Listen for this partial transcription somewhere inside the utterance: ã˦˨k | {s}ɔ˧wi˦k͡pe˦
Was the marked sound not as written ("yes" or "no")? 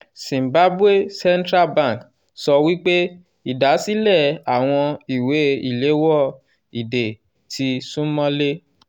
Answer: no